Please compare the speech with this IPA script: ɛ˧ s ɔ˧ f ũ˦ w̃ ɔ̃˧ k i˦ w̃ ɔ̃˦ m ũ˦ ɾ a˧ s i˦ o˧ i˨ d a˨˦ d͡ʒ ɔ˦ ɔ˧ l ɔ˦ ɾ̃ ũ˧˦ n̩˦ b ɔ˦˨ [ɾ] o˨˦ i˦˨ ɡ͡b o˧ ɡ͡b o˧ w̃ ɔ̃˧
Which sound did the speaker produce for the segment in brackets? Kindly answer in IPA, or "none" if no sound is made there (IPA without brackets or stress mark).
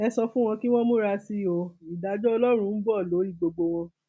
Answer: l